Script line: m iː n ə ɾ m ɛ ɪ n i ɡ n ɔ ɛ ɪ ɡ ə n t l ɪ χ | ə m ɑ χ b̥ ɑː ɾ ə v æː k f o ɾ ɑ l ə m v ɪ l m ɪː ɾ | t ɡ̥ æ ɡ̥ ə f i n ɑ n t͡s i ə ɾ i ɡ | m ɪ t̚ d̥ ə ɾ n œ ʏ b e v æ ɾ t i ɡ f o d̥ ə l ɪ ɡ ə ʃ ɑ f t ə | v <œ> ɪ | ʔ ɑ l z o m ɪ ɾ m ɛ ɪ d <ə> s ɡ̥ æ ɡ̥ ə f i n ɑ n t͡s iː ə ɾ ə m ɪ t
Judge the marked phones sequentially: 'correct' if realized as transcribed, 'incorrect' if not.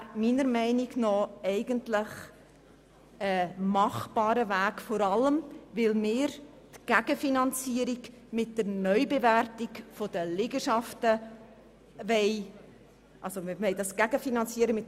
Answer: incorrect: ɛ, incorrect: ɑ

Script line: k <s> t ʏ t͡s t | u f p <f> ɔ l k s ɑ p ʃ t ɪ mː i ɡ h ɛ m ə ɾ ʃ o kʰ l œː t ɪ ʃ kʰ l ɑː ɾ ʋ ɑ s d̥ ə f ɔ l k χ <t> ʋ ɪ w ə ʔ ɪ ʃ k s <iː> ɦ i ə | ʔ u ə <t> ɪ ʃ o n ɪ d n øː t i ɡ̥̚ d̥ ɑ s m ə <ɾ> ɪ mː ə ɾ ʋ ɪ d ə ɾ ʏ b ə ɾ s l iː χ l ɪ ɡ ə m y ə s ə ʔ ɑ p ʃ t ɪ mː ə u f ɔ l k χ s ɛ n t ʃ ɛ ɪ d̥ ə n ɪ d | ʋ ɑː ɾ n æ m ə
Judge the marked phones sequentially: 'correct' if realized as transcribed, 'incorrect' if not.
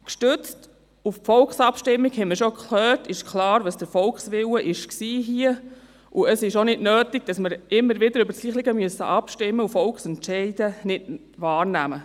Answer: incorrect: ʃ, correct, incorrect: s, correct, incorrect: s, correct

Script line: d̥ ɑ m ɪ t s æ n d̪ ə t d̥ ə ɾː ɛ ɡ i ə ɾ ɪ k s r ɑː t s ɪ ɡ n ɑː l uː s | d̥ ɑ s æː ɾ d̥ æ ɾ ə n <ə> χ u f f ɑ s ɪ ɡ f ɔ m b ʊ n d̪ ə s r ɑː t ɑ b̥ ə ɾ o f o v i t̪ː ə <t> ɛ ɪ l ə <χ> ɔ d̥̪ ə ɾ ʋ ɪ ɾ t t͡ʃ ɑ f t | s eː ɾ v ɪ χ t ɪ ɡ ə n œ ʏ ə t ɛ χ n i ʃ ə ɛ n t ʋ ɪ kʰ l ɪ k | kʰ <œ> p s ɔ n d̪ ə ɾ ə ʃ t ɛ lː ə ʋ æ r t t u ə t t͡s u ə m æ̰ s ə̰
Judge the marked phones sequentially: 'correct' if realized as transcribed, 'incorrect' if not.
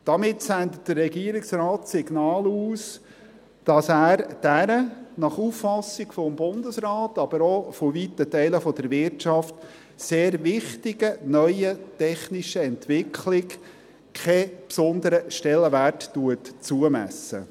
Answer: incorrect: ɑ, correct, incorrect: f, incorrect: ɛ

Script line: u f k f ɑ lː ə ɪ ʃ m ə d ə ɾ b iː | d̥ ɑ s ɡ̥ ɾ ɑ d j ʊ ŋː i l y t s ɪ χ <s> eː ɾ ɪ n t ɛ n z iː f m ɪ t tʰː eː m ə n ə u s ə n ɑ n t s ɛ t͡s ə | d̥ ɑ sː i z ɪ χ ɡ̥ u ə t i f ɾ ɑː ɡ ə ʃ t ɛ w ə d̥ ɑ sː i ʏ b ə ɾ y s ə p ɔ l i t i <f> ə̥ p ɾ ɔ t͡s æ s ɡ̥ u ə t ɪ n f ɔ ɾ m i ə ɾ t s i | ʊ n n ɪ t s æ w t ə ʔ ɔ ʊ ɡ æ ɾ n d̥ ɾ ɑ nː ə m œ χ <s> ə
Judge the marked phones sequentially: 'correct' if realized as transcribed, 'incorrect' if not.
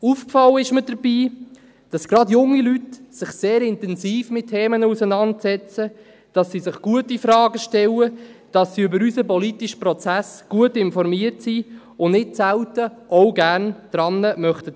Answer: correct, incorrect: ʃ, incorrect: t

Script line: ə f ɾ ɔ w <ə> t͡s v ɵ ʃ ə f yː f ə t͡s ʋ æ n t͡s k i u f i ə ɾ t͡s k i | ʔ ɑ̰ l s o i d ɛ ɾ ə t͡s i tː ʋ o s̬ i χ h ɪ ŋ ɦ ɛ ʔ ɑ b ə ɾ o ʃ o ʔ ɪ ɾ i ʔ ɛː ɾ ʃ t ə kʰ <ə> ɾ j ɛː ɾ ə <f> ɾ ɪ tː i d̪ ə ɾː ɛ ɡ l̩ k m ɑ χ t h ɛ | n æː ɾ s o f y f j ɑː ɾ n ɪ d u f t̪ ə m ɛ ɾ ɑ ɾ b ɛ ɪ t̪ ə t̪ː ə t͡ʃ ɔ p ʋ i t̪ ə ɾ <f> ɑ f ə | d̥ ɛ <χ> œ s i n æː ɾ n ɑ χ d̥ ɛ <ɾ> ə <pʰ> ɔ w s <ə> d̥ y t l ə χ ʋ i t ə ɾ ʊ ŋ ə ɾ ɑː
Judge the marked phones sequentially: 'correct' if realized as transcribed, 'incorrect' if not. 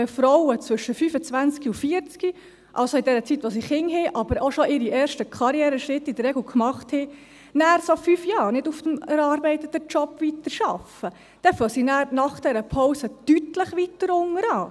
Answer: correct, incorrect: ɑ, incorrect: ʃ, incorrect: ʃ, incorrect: f, correct, correct, correct

